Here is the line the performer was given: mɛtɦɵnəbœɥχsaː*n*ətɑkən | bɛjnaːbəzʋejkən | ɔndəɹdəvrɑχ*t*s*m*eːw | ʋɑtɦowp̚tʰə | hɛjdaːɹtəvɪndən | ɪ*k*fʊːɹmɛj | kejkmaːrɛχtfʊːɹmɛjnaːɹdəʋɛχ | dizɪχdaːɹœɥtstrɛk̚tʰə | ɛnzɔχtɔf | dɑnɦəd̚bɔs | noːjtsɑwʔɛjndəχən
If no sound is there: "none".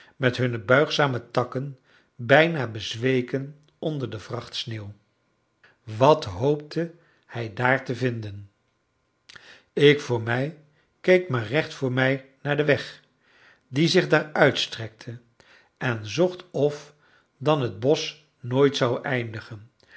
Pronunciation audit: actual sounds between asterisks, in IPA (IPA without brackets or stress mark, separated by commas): m, t, n, k